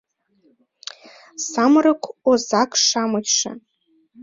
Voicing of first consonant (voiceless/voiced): voiceless